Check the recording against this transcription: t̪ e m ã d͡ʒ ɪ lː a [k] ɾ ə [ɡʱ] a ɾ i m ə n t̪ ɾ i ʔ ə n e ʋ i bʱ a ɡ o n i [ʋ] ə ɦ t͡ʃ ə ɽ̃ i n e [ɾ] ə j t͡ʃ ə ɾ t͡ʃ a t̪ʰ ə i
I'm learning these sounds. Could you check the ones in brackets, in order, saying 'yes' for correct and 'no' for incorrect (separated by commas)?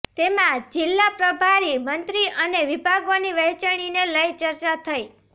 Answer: no, no, yes, no